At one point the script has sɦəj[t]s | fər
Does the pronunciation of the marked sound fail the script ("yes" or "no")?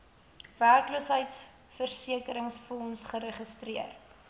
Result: no